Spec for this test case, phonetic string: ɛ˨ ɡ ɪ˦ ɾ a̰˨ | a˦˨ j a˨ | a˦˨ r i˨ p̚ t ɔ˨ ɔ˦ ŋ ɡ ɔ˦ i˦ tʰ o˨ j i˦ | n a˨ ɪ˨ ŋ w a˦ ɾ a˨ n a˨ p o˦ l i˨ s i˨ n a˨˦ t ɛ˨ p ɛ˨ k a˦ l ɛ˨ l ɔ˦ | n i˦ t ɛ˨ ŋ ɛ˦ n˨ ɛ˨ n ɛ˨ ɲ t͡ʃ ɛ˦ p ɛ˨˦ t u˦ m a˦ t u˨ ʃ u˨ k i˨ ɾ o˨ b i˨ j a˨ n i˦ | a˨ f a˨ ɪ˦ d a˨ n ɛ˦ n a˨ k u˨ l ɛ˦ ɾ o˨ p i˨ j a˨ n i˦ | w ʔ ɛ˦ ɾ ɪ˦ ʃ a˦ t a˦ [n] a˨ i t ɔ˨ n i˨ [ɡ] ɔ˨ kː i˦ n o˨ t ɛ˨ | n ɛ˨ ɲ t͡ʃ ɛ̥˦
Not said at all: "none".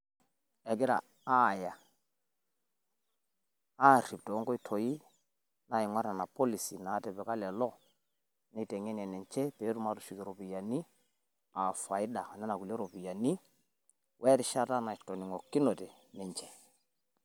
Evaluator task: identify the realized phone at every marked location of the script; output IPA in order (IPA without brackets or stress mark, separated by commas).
n, ŋ